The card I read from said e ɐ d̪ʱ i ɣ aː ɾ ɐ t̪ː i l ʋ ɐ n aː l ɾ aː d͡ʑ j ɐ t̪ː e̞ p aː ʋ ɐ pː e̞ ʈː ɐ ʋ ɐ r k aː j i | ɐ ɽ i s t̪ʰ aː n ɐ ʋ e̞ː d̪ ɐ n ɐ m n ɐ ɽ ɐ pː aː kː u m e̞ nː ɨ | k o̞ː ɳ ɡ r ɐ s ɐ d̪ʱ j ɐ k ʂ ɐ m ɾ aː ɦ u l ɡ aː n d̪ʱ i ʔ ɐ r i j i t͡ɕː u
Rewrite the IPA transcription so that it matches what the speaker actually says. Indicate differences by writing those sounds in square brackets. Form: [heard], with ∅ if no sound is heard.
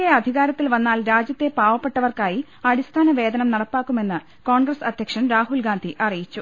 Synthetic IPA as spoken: e ɐ d̪ʱ i ɣ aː ɾ ɐ t̪ː i l ʋ ɐ [nː] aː l ɾ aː d͡ʑ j ɐ t̪ː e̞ p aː ʋ ɐ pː e̞ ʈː ɐ ʋ ɐ r k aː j i | ɐ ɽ i s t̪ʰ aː n ɐ ʋ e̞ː d̪ ɐ n ɐ m n ɐ ɽ ɐ pː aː kː u m e̞ nː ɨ | k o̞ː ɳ ɡ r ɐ s ɐ d̪ʱ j ɐ k ʂ ɐ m ɾ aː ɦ u l ɡ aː n d̪ʱ i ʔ ɐ r i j i t͡ɕː u